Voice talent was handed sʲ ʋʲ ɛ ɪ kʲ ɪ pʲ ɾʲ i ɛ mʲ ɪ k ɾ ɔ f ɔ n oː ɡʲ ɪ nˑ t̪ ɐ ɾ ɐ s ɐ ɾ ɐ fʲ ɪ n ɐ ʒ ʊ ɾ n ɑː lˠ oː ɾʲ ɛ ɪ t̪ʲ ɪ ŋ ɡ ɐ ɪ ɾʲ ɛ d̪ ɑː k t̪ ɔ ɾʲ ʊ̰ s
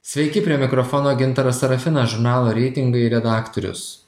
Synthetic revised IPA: sʲ ʋʲ ɛ ɪ kʲ ɪ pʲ ɾʲ i ɛ mʲ ɪ k ɾ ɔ f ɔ n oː ɡʲ ɪ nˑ t̪ ɐ ɾ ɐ s ɐ ɾ ɐ fʲ ɪ n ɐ ʒ ʊ ɾ n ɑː lˠ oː ɾʲ ɛ ɪ t̪ʲ ɪ ŋ ɡ ɐ ɪ ɾʲ ɛ d̪ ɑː k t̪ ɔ ɾʲ ʊ̰ s